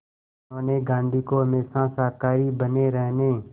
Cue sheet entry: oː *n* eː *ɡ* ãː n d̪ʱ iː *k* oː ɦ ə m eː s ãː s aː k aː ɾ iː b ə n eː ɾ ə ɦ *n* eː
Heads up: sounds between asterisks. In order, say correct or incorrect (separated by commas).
correct, correct, correct, correct